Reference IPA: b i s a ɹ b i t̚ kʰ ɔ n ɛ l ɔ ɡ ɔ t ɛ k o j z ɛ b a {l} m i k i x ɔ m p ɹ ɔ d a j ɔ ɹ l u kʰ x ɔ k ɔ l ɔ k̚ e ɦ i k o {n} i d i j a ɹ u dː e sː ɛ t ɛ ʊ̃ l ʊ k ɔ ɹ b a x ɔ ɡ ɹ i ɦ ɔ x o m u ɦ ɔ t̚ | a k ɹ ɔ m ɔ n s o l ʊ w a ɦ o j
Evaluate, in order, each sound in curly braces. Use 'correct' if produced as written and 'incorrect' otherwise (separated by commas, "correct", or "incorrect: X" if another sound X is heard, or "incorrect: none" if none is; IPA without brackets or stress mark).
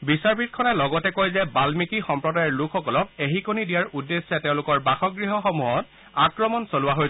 correct, correct